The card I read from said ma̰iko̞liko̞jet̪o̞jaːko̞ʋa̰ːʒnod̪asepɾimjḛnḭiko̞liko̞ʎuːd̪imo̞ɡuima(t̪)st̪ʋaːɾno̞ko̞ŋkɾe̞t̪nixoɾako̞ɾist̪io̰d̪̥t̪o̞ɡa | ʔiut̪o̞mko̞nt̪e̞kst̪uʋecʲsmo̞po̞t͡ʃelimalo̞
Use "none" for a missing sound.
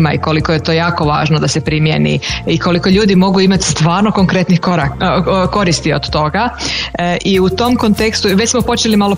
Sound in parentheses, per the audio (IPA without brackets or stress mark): t̪